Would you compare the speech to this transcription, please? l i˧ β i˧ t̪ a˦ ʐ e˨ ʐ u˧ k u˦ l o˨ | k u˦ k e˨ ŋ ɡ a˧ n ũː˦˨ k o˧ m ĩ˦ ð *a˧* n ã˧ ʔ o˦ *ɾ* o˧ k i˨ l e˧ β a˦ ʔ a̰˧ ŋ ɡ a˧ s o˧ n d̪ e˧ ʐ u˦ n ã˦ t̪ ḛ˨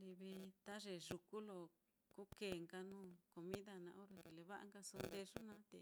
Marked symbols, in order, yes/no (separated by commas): yes, yes